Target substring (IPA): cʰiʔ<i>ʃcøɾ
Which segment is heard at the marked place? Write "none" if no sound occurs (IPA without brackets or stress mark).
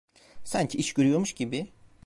i